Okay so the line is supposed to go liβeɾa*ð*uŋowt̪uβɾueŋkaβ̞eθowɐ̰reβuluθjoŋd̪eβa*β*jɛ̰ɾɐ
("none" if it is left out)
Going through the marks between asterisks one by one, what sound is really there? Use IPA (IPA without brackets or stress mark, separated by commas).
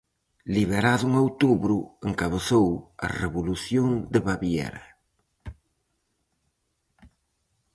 ð, β